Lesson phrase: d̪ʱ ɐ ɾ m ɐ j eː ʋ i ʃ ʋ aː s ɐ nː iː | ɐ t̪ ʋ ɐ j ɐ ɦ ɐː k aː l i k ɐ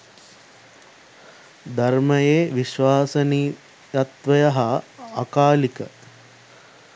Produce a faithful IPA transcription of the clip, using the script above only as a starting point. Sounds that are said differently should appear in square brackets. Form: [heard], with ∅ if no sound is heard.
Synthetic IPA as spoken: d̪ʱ ɐ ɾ m ɐ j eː ʋ i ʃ ʋ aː s ɐ [n] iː | ɐ t̪ ʋ ɐ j ɐ ɦ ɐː k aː l i k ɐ